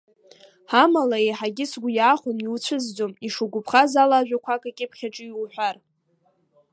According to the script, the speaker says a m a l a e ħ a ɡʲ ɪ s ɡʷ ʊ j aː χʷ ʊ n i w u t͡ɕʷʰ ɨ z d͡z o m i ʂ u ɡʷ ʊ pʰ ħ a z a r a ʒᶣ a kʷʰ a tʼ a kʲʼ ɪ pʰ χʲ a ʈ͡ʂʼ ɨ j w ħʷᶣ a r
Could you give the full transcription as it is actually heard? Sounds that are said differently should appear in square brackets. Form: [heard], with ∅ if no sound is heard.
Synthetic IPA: a m a l a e ħ a ɡʲ ɪ s ɡʷ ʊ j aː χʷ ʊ n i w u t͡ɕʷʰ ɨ z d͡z o m i ʂ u ɡʷ ʊ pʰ [χ] a z a [l] a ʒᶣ a kʷʰ a [kʼ] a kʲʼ ɪ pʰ χʲ a ʈ͡ʂʼ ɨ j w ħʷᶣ a r